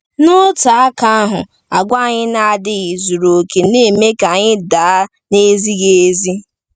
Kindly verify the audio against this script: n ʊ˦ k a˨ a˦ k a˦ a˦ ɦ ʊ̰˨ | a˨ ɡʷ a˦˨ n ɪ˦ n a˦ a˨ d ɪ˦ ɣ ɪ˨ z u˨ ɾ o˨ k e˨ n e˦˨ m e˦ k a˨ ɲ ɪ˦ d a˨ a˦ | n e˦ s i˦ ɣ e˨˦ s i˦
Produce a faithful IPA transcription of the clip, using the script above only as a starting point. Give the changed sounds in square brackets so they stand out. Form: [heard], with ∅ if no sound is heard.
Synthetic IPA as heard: n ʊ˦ [t] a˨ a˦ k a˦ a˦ ɦ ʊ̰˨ | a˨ ɡʷ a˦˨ [ɲ] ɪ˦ n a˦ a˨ d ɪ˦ ɣ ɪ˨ z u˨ ɾ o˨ k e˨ n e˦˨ m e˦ k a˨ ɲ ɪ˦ d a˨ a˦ | n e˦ [z] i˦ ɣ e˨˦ [z] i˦